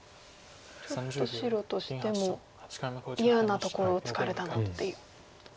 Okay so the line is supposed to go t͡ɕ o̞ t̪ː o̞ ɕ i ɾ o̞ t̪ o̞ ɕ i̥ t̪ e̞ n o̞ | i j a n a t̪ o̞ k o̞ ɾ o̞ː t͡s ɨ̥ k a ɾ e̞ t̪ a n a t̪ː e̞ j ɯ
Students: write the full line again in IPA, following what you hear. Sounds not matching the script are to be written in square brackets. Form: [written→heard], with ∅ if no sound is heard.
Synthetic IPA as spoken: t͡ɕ o̞ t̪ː o̞ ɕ i ɾ o̞ t̪ o̞ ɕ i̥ t̪ e̞ [n→m] o̞ | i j a n a t̪ o̞ k o̞ ɾ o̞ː t͡s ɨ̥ k a ɾ e̞ t̪ a n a t̪ː e̞ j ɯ